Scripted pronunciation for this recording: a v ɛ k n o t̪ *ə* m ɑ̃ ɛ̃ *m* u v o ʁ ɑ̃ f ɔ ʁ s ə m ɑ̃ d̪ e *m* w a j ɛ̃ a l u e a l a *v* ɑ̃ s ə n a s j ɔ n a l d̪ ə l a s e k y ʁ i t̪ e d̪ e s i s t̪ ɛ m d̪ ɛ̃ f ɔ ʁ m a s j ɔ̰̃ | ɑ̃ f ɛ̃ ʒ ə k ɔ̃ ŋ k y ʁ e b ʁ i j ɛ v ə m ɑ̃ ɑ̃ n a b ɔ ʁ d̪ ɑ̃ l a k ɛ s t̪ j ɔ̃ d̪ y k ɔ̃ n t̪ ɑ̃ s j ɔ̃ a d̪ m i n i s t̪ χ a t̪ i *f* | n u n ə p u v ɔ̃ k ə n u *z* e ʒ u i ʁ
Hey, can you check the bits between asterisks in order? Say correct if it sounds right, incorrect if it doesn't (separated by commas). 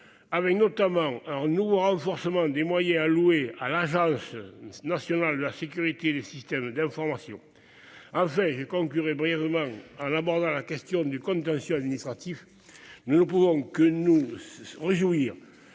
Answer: incorrect, incorrect, correct, incorrect, correct, incorrect